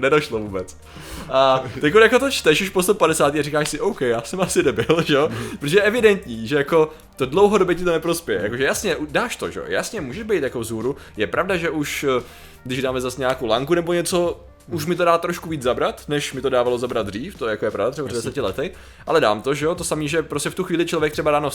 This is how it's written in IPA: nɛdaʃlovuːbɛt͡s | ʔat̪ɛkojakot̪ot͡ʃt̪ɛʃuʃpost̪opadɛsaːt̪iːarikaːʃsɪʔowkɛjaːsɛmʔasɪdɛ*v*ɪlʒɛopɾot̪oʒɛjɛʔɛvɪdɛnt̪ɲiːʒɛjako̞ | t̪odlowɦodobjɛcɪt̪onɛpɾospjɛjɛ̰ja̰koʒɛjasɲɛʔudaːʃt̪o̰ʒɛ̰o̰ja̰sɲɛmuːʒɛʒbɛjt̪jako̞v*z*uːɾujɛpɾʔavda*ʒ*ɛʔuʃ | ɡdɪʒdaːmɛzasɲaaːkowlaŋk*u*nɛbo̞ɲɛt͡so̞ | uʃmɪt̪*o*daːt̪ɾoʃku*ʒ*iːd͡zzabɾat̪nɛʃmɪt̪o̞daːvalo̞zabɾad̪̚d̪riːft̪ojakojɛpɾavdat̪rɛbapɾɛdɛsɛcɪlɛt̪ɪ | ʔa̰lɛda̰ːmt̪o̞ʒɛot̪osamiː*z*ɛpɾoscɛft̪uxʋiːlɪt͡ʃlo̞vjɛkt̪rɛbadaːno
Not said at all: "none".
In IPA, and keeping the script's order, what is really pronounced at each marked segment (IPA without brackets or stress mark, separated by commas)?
b, z, ʒ, u, o, v, ʒ